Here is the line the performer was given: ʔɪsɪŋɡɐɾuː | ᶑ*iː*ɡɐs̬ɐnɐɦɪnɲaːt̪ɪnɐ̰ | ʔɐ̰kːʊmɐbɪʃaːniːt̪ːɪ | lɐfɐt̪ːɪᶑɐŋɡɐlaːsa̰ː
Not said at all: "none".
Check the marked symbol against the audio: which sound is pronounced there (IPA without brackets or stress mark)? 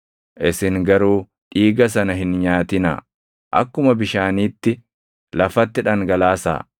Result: iː